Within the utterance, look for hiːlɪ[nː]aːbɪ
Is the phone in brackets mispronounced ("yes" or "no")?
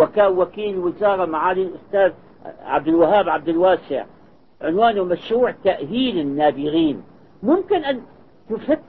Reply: no